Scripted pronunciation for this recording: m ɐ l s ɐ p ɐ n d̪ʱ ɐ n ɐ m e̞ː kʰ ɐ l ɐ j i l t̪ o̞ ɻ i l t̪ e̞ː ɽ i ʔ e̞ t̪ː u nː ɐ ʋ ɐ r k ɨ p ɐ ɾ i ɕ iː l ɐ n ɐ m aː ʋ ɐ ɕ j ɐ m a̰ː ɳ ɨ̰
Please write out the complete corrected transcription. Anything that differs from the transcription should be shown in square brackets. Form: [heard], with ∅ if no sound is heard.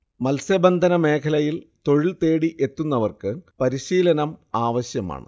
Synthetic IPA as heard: m ɐ l s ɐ [b] ɐ n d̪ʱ ɐ n ɐ m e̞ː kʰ ɐ l ɐ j i l t̪ o̞ ɻ i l t̪ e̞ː ɽ i ʔ e̞ t̪ː u nː ɐ ʋ ɐ r k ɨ p ɐ ɾ i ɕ iː l ɐ n ɐ m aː ʋ ɐ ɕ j ɐ m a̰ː ɳ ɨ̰